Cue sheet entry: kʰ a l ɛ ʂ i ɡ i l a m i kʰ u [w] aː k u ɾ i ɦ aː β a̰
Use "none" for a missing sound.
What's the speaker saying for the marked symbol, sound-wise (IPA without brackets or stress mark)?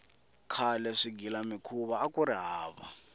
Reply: β